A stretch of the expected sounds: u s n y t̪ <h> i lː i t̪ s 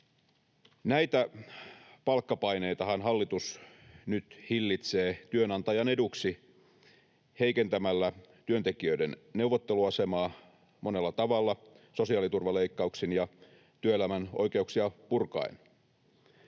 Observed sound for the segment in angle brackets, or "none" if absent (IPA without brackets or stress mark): h